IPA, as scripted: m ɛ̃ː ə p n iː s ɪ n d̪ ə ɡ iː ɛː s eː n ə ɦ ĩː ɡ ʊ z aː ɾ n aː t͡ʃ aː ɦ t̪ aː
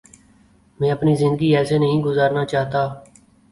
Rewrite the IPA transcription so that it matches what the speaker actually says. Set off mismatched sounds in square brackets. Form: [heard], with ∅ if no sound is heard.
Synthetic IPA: m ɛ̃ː ə p n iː [z] ɪ n d̪ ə ɡ iː ɛː s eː n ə ɦ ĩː ɡ ʊ z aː ɾ n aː t͡ʃ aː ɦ t̪ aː